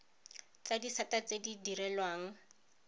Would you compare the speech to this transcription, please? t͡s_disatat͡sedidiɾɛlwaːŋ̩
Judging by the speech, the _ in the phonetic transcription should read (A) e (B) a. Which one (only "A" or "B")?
B